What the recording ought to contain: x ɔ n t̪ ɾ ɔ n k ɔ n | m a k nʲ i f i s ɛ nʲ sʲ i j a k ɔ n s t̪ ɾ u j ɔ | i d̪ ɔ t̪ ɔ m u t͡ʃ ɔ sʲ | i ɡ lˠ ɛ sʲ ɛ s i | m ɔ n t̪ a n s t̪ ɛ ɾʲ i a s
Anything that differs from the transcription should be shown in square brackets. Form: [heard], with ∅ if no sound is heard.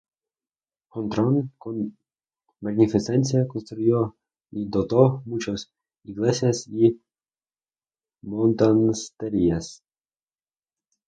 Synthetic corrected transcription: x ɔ n t̪ ɾ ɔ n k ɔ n | m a [ɡ] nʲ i f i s ɛ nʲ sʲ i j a k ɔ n s t̪ ɾ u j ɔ | i d̪ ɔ t̪ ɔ m u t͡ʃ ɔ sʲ | i ɡ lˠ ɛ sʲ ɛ s i | m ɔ n t̪ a n s t̪ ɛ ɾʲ i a s